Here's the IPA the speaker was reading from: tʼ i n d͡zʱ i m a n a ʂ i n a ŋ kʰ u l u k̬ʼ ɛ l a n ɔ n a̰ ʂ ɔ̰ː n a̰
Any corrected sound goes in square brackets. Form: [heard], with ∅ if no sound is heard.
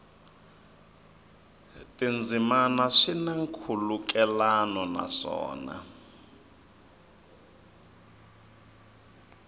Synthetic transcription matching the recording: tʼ i n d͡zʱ i m a n a ʂ i n a ŋ kʰ u l u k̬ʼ ɛ l a n ɔ n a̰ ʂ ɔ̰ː n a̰